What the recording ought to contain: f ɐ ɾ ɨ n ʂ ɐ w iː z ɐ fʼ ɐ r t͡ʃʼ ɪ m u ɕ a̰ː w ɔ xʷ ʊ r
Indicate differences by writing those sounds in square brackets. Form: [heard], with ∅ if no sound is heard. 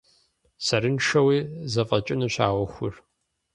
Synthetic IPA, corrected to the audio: [s] ɐ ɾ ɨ n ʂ ɐ w iː z ɐ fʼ ɐ [∅] t͡ʃʼ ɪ [n] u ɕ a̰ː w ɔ xʷ ʊ r